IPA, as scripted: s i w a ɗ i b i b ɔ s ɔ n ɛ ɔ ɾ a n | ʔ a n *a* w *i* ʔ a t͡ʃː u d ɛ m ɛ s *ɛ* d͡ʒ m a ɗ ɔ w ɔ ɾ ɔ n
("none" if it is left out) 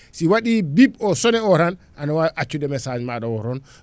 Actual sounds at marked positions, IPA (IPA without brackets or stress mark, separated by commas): a, a, a